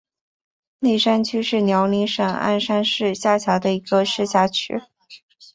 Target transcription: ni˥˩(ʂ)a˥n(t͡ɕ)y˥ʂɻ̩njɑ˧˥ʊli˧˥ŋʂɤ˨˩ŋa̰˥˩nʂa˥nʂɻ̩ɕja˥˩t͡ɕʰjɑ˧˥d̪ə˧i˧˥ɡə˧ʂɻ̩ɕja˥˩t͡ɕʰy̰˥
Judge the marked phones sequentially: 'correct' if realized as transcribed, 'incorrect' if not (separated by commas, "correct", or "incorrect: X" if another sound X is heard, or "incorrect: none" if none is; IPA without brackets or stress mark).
correct, incorrect: t͡ɕʰ